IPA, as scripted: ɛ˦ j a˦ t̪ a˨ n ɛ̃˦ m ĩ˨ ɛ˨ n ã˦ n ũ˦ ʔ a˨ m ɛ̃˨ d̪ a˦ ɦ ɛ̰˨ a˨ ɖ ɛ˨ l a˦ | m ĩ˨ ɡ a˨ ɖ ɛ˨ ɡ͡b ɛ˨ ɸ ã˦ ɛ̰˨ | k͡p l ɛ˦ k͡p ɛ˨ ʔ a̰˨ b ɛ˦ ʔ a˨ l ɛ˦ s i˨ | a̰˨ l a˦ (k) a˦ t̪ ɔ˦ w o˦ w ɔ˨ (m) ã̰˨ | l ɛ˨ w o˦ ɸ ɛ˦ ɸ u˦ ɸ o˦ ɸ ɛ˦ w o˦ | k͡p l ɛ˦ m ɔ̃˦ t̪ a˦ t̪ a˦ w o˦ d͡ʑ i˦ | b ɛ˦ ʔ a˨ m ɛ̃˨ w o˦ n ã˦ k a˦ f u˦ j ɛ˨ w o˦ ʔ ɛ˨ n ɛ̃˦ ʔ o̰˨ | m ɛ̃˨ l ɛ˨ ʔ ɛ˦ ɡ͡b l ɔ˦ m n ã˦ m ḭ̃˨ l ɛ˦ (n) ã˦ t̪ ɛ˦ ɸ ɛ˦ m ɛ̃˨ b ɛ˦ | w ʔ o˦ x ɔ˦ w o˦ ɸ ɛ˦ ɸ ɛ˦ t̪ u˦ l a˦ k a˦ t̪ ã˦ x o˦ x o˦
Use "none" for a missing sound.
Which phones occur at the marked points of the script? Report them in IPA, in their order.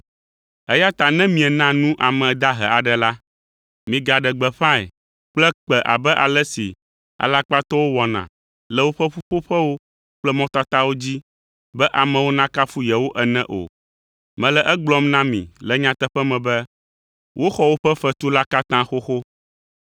k͡p, n, ɲ

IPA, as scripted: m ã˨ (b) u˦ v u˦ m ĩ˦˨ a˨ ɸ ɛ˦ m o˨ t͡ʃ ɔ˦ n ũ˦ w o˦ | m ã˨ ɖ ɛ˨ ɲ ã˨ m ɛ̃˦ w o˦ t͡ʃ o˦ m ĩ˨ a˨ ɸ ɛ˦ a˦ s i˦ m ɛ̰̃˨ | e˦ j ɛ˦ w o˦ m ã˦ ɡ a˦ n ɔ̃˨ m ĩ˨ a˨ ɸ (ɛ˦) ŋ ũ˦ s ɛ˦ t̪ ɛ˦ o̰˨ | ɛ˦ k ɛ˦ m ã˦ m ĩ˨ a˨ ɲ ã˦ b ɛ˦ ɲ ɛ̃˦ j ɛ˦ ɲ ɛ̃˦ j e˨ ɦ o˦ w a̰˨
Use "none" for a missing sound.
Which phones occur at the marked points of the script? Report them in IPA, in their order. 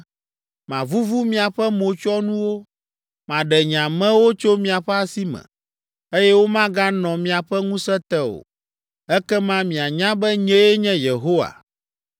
v, ɛ˦

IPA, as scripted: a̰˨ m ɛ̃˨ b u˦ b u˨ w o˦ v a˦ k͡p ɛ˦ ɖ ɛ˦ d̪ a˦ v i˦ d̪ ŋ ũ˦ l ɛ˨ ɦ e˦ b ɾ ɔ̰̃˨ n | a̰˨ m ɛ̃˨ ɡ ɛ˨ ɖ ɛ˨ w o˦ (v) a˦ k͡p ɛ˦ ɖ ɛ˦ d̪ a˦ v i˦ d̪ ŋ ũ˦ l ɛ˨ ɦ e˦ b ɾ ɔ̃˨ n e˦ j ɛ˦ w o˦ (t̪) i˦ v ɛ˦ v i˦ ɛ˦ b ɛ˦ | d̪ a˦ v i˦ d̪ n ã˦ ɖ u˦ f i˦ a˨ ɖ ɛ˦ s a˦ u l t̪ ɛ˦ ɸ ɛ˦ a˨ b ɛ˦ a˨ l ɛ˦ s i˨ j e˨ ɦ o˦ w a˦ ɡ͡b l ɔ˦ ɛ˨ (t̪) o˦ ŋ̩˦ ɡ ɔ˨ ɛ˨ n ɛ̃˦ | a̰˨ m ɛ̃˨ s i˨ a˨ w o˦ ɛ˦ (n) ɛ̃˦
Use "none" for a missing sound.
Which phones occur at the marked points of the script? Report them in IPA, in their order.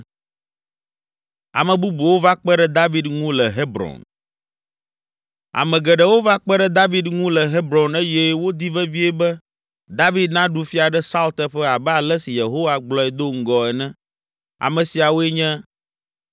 v, d̪, d̪, ɲ

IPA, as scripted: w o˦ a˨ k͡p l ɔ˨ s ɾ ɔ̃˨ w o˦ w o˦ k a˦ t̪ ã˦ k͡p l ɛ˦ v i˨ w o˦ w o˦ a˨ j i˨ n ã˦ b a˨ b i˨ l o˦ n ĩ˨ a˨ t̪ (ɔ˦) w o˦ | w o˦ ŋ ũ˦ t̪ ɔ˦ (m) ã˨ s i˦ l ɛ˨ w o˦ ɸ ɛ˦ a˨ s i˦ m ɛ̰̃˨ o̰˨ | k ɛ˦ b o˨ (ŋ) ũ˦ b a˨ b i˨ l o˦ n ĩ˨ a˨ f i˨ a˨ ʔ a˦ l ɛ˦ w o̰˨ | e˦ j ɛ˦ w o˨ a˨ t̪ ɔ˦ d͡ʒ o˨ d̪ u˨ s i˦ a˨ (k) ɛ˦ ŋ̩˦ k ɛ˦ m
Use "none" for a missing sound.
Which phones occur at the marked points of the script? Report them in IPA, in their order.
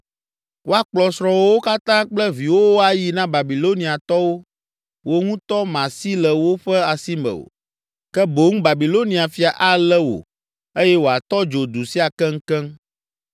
ɔ˦, m, ŋ, k

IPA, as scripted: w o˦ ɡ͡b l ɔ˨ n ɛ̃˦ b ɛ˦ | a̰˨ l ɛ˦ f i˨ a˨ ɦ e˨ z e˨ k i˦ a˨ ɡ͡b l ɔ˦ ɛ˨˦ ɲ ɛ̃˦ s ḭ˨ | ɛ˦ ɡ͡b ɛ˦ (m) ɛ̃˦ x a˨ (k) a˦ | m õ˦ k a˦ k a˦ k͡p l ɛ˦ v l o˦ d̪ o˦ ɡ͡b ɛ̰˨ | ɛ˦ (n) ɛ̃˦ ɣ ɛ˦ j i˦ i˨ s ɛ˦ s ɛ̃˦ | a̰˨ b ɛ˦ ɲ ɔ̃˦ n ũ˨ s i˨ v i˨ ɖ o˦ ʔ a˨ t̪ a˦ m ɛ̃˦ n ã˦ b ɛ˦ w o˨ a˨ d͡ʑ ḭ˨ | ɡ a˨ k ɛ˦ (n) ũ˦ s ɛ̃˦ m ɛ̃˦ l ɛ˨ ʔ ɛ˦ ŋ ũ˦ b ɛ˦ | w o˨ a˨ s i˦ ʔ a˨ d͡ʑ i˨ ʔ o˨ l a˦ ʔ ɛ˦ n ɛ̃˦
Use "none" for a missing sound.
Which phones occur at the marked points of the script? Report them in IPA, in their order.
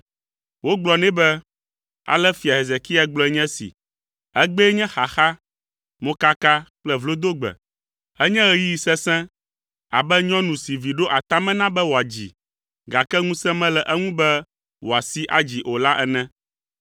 ɲ, x, ɲ, ŋ

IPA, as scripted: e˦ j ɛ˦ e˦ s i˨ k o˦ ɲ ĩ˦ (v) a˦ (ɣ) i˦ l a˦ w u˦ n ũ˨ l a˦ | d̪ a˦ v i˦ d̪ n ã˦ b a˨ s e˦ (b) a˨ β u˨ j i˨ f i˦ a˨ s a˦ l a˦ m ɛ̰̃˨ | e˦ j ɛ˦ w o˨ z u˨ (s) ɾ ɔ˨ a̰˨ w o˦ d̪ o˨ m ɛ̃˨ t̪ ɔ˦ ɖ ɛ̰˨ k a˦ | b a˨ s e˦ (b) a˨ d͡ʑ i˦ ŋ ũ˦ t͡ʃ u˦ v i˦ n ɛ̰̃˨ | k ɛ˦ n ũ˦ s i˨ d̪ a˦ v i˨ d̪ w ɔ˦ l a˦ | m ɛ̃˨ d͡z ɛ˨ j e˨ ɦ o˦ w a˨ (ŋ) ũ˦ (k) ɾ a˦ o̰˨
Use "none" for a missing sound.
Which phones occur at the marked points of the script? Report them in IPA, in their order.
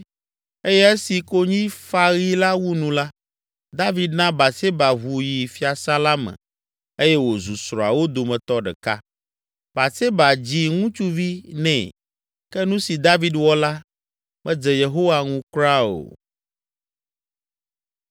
f, ɣ, b, s, b, ŋ, k

